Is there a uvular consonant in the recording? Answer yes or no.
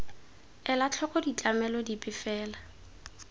no